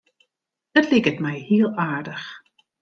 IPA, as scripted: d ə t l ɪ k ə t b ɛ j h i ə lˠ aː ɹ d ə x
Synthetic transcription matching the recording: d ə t l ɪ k ə t m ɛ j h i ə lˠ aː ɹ d ə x